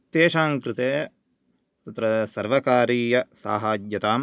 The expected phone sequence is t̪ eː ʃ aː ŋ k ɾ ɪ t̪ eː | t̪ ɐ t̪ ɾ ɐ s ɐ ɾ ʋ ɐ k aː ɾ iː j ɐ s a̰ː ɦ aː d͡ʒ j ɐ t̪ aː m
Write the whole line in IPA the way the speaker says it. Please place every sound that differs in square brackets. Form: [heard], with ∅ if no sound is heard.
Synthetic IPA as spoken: t̪ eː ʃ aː ŋ k ɾ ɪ t̪ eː | t̪ ɐ t̪ ɾ ɐ s ɐ ɾ ʋ ɐ k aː ɾ iː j ɐ s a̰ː ɦ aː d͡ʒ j ɐ t̪ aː m